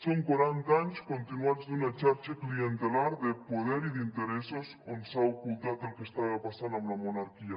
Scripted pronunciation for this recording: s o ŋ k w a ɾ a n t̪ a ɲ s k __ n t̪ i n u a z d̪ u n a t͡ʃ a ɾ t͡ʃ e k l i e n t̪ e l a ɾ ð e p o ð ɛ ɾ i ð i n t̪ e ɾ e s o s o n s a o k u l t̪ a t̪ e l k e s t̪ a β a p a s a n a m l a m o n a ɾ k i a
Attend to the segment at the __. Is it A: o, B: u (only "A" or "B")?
A